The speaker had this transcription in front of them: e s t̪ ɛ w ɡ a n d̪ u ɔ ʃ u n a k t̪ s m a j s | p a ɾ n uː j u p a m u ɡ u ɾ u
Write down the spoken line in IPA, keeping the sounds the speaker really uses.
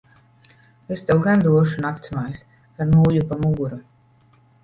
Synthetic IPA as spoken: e s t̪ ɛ w ɡ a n d̪ u ɔ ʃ u n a k t̪ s m a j s | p a ɾ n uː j u p a m u ɡ u ɾ u